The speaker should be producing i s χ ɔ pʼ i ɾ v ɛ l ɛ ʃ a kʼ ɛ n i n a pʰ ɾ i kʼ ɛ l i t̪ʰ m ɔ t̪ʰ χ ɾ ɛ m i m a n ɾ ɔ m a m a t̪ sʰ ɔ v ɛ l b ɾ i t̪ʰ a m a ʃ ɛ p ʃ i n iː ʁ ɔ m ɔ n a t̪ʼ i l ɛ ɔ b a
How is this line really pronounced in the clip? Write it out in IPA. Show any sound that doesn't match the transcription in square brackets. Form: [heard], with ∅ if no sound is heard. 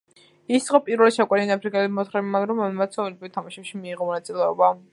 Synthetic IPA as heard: i s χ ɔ pʼ i ɾ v ɛ l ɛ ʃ a kʼ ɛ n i n a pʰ ɾ i kʼ ɛ l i [∅] m ɔ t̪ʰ χ ɾ ɛ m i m a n ɾ ɔ m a m a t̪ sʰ ɔ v ɛ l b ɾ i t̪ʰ a m a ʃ ɛ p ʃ i [m] iː ʁ ɔ m ɔ n a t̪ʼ i l ɛ ɔ b a